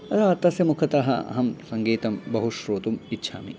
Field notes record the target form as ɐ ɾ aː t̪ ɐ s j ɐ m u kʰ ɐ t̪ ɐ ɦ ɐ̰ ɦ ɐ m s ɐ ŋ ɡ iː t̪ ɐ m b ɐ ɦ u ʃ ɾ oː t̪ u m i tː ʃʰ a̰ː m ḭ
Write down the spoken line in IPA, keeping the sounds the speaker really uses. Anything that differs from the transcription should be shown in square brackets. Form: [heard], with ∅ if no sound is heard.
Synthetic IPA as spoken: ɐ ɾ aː t̪ ɐ s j ɐ m u kʰ ɐ t̪ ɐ ɦ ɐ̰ ɦ ɐ m s ɐ ŋ ɡ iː t̪ ɐ m b ɐ ɦ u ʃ ɾ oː t̪ u m i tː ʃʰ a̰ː m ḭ